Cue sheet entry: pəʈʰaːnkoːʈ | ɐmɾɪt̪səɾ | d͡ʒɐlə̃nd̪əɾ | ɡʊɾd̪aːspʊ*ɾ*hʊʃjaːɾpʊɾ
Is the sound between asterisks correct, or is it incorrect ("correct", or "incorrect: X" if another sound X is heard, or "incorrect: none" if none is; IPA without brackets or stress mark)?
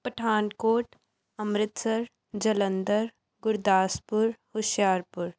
correct